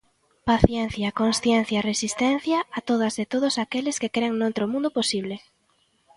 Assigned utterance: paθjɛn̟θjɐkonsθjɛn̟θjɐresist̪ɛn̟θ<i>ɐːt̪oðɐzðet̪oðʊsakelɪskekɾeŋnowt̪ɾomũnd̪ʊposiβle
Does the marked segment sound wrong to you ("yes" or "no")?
yes